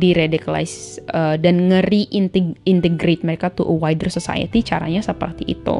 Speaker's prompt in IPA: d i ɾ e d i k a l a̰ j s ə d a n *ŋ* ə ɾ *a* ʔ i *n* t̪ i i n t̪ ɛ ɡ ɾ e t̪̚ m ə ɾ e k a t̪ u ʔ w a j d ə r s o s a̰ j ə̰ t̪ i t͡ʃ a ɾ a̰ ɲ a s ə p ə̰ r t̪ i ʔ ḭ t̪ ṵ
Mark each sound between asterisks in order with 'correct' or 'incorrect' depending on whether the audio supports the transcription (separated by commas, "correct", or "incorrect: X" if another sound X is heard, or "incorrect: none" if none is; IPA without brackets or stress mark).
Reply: correct, incorrect: i, correct